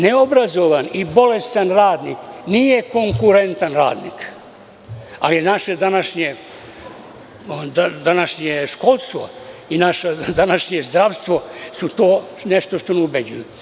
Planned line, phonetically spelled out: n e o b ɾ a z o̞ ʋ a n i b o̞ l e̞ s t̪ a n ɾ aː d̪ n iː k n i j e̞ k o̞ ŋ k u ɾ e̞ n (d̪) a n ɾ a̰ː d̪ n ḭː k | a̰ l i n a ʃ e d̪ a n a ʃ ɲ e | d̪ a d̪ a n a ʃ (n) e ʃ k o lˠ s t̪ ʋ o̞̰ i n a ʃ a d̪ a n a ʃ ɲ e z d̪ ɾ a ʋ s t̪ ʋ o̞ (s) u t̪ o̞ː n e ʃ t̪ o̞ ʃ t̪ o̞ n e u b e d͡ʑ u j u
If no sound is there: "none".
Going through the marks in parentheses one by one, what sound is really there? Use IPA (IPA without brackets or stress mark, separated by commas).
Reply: t̪, ɲ, s